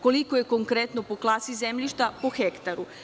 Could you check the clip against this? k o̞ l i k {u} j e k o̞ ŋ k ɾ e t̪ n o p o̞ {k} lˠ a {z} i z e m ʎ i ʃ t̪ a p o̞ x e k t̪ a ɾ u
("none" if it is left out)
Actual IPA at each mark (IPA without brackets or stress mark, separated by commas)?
o, k, s